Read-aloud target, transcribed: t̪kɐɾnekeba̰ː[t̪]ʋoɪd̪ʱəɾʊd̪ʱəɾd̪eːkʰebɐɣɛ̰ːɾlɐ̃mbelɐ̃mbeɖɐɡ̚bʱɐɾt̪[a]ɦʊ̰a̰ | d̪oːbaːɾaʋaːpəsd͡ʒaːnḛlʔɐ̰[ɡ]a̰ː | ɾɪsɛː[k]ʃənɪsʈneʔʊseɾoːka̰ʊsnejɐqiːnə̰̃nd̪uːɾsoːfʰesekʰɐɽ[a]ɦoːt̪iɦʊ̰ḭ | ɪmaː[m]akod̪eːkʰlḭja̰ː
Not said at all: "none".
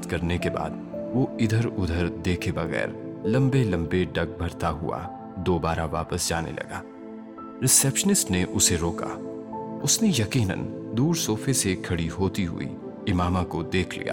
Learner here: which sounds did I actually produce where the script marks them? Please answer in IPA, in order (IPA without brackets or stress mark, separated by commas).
d̪, a, ɡ, p, i, m